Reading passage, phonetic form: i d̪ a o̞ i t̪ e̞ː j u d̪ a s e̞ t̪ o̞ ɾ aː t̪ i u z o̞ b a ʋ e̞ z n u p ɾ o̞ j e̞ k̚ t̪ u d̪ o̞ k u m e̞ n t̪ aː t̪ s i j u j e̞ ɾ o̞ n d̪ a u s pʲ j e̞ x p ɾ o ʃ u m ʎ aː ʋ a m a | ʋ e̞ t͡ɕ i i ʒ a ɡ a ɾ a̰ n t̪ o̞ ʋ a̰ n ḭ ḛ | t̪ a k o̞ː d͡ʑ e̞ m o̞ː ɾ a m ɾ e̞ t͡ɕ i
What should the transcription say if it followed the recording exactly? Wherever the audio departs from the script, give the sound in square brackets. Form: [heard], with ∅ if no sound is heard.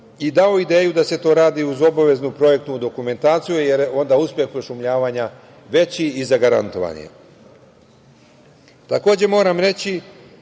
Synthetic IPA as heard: i d̪ a o̞ i [d̪] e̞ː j u d̪ a s e̞ t̪ o̞ ɾ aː [d̪] i u z o̞ b a ʋ e̞ z n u p ɾ o̞ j e̞ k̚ t̪ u d̪ o̞ k u m e̞ n t̪ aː t̪ s i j u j e̞ ɾ o̞ n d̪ a u s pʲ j e̞ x p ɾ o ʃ u m ʎ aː ʋ a [ɲ] a | ʋ e̞ t͡ɕ i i [z] a ɡ a ɾ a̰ n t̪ o̞ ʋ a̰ n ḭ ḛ | t̪ a k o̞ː d͡ʑ e̞ m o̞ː ɾ a m ɾ e̞ t͡ɕ i

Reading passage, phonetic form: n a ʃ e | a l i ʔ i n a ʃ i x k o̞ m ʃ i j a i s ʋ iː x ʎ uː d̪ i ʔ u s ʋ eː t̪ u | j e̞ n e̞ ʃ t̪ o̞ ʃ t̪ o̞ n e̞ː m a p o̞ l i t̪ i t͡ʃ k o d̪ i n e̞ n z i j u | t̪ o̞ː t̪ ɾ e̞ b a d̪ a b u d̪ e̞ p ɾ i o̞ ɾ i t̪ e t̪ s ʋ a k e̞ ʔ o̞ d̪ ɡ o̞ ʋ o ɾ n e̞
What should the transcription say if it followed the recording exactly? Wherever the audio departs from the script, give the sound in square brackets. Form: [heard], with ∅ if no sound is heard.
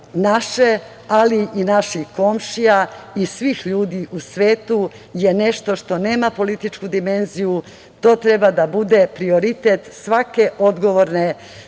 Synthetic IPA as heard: n a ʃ e | a l i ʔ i n a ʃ i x k o̞ m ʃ i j a i s ʋ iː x ʎ uː d̪ i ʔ u s ʋ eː t̪ u | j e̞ n e̞ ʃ t̪ o̞ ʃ t̪ o̞ n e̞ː m a p o̞ l i t̪ i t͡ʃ k [u] d̪ i [m] e̞ n z i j u | t̪ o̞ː t̪ ɾ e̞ b a d̪ a b u d̪ e̞ p ɾ i o̞ ɾ i t̪ e t̪ s ʋ a k e̞ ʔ o̞ d̪ ɡ o̞ ʋ o ɾ n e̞

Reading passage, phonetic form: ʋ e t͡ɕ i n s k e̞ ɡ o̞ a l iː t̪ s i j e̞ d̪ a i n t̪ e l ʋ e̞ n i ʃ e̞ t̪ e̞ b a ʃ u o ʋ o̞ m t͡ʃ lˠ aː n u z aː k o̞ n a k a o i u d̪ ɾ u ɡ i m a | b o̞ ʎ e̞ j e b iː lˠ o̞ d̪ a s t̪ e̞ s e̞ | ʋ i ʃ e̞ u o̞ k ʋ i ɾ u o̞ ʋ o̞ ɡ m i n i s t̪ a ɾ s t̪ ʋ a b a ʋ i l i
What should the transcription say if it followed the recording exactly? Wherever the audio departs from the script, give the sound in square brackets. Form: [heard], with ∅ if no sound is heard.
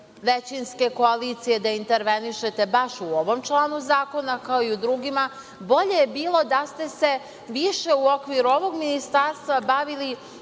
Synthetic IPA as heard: ʋ e t͡ɕ i n s k e̞ [k] o̞ a l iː t̪ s i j e̞ d̪ a i n t̪ e [ɾ] ʋ e̞ n i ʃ e̞ t̪ e̞ b a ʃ u o ʋ o̞ m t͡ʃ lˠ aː n u z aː k o̞ n a k a o i u d̪ ɾ u ɡ i m a | b o̞ ʎ e̞ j e b iː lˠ o̞ d̪ a s t̪ e̞ s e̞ | ʋ i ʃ e̞ u o̞ k ʋ i ɾ u o̞ ʋ o̞ ɡ m i n i s t̪ a ɾ s t̪ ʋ a b a ʋ i l i

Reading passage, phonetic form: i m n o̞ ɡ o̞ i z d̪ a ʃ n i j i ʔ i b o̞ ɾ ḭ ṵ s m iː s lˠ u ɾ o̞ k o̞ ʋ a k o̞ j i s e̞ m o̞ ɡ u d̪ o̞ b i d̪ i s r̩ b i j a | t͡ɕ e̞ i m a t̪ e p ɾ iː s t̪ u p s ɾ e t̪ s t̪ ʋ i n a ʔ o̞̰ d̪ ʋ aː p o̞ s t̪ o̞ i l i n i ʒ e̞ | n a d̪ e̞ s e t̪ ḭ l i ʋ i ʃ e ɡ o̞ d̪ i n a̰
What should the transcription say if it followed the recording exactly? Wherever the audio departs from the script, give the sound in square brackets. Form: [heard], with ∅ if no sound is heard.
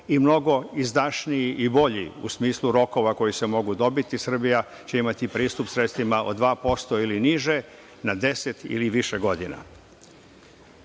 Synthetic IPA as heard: i m n o̞ ɡ o̞ i z d̪ a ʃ n i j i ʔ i b o̞ [ʎ] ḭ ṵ s m iː s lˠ u ɾ o̞ k o̞ ʋ a k o̞ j i s e̞ m o̞ ɡ u d̪ o̞ b i [t̪] i s r̩ b i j a | t͡ɕ e̞ i m a t̪ [i] p ɾ iː s t̪ u p s ɾ e t̪ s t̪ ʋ i [m] a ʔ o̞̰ d̪ ʋ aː p o̞ s t̪ o̞ i l i n i ʒ e̞ | n a d̪ e̞ s e t̪ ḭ l i ʋ i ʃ e ɡ o̞ d̪ i n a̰

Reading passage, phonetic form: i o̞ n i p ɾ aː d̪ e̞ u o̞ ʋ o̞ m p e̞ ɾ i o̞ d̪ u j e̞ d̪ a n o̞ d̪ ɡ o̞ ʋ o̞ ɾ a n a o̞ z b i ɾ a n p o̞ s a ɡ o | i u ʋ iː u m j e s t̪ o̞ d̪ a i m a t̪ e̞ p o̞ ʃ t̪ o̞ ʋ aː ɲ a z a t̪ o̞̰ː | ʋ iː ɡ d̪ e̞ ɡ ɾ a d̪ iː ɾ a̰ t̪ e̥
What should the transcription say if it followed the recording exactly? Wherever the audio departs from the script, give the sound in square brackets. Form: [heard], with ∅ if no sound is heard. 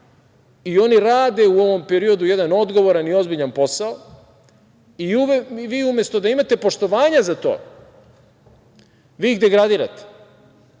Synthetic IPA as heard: i o̞ n i [∅] ɾ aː d̪ e̞ u o̞ ʋ o̞ m p e̞ ɾ i o̞ d̪ u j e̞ d̪ a n o̞ d̪ ɡ o̞ ʋ o̞ ɾ a n [i] o̞ z b i [ʎ] a n p o̞ s a [∅] o | i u ʋ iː u m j e s t̪ o̞ d̪ a i m a t̪ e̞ p o̞ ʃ t̪ o̞ ʋ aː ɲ a z a t̪ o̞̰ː | ʋ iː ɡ d̪ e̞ ɡ ɾ a d̪ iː ɾ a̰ t̪ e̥

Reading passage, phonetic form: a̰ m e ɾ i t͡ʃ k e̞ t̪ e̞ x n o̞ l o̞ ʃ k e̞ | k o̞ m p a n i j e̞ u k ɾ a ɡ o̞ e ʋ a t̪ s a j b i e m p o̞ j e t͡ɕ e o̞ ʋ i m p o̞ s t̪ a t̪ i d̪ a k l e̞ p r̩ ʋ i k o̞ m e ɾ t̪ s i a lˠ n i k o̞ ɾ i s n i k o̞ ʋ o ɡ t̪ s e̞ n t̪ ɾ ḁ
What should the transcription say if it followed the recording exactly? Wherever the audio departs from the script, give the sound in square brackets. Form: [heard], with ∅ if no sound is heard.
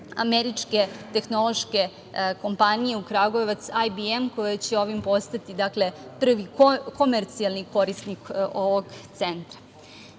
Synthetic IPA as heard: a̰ m e ɾ i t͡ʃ k e̞ t̪ e̞ x n o̞ l o̞ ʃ k e̞ | k o̞ m p a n i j e̞ u k ɾ a ɡ o̞ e ʋ a t̪ s a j b i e m [k] o̞ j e t͡ɕ e o̞ ʋ i m p o̞ s t̪ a t̪ i d̪ a k l e̞ p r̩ ʋ i k o̞ m e ɾ t̪ s i a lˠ n i k o̞ ɾ i s n i k o̞ ʋ o ɡ t̪ s e̞ n t̪ ɾ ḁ

